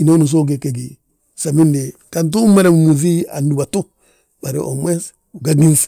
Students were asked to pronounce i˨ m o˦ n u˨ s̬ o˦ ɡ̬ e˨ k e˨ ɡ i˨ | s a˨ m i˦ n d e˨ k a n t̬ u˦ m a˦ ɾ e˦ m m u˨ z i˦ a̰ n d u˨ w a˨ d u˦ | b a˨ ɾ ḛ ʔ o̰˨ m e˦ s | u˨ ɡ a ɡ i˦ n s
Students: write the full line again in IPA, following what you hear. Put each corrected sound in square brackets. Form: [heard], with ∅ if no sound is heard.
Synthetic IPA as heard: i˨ [n] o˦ n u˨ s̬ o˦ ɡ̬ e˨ k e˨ ɡ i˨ | s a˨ m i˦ n d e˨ k a n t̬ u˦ m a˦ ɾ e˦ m m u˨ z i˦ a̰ n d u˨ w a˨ [t] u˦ | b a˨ ɾ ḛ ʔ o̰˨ m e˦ s | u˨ ɡ a ɡ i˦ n s